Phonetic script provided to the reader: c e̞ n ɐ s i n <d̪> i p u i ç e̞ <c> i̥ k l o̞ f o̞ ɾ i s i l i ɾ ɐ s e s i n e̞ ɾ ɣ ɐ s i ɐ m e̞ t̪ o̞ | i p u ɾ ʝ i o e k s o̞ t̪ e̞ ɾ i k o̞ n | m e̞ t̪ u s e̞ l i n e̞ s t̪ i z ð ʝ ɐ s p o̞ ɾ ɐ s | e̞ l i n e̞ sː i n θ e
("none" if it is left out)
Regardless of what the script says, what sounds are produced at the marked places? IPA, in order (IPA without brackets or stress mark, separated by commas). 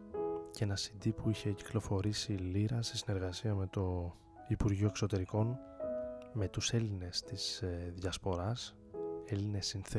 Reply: d̪, c